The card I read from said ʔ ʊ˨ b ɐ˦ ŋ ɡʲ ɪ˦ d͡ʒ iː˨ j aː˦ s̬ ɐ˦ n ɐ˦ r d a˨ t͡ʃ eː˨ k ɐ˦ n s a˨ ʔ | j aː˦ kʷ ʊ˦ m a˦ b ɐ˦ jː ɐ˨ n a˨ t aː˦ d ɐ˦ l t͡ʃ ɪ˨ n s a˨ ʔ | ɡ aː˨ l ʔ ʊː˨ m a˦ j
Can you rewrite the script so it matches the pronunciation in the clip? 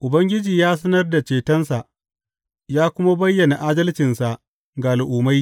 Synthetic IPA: ʔ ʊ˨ b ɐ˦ ŋ ɡʲ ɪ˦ d͡ʒ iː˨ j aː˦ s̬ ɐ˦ n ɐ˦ r d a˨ t͡ʃ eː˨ t ɐ˦ n s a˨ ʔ | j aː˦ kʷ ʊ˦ m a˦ b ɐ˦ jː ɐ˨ n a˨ ʔ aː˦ d ɐ˦ l t͡ʃ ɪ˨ n s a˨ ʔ | ɡ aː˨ l ʔ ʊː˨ m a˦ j